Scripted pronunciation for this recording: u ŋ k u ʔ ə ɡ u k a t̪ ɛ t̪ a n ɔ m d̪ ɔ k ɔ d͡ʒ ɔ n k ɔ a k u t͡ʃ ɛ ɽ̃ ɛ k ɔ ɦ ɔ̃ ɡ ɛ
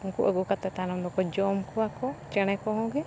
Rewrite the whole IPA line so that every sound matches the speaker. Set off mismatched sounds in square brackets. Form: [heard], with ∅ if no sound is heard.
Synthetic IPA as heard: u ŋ k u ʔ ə ɡ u k a t̪ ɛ t̪ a n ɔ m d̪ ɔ k ɔ d͡ʒ ɔ [m] k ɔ a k [ɔ] t͡ʃ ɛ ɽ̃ ɛ k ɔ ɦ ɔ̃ ɡ ɛ